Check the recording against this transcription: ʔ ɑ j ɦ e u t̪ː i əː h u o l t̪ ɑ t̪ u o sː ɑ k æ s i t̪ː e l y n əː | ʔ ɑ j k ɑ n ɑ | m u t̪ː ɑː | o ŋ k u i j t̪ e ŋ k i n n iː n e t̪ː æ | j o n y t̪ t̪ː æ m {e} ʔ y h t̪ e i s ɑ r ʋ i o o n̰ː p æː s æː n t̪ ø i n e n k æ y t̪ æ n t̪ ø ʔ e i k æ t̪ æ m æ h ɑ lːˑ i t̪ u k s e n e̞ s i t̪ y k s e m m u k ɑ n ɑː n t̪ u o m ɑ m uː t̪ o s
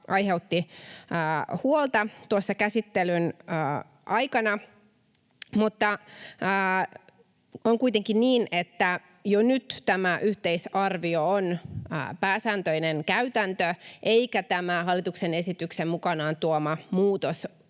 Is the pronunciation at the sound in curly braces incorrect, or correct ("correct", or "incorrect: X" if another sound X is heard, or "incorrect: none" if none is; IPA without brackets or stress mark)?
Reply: incorrect: æ